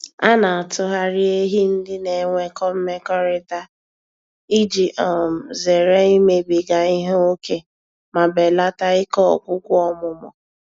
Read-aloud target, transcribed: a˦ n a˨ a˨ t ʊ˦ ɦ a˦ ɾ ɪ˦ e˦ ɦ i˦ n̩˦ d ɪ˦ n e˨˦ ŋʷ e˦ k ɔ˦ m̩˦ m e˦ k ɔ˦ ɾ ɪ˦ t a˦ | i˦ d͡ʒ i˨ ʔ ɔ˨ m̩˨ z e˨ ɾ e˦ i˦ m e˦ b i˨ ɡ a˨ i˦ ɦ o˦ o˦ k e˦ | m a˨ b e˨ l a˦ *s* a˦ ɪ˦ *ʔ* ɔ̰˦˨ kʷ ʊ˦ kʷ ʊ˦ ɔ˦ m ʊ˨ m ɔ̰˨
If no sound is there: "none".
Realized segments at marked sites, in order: t, k

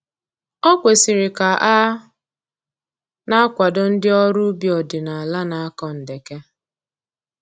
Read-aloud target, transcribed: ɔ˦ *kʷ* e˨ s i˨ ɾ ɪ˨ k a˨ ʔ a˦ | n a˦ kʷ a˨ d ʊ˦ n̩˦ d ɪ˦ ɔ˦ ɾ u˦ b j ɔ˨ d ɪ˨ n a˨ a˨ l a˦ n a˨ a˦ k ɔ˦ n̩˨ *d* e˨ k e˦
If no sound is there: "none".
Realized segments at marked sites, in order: kʷ, d

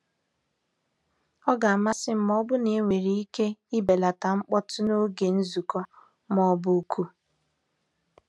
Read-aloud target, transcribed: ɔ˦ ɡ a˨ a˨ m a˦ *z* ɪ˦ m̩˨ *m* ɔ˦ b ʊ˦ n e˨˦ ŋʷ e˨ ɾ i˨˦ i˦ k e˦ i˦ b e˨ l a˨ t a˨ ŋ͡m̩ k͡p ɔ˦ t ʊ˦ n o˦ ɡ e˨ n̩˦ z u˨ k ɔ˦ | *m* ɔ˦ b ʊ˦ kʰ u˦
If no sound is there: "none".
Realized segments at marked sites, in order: s, m, m

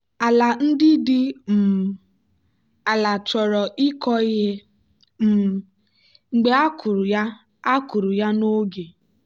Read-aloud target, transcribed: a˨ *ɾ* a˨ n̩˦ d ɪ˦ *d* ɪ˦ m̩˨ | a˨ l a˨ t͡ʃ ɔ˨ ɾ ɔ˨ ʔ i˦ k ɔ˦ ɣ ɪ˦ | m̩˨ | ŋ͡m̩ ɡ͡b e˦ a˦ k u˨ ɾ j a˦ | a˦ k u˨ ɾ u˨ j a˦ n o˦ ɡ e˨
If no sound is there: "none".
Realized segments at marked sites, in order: l, d

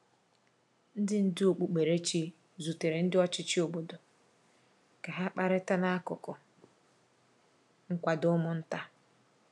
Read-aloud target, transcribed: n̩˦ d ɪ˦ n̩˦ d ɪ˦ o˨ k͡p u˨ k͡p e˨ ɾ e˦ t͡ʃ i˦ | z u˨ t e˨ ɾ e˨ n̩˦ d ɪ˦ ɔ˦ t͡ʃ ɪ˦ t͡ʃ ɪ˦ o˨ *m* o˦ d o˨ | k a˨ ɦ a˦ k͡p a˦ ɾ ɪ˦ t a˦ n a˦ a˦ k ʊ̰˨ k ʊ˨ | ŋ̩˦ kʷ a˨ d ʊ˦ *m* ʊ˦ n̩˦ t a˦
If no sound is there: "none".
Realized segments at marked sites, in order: b, m

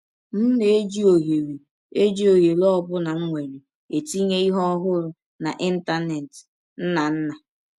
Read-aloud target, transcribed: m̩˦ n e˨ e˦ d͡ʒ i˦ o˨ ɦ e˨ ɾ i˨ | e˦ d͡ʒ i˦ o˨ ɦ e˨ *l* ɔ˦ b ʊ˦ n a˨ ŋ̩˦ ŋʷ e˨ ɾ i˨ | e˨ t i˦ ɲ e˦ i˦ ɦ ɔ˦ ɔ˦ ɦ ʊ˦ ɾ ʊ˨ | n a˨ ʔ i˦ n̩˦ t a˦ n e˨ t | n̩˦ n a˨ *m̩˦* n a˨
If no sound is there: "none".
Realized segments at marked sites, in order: l, n̩˦

